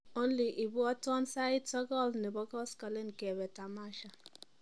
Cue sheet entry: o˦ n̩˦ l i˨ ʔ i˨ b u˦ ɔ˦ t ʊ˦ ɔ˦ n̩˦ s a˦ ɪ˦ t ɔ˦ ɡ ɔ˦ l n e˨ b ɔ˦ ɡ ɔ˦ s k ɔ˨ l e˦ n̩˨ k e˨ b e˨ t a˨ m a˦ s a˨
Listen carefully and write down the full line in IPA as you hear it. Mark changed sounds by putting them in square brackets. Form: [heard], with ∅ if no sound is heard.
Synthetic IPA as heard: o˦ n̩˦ l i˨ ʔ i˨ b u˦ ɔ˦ t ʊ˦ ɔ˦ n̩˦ s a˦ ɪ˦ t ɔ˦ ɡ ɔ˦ l n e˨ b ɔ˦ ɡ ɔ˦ s k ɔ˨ l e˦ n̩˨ k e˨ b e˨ t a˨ m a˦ [ʃ] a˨